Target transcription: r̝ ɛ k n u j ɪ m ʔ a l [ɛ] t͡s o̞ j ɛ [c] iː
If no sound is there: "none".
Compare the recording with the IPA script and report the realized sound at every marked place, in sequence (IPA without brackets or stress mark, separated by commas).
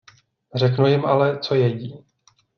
ɛ, ɟ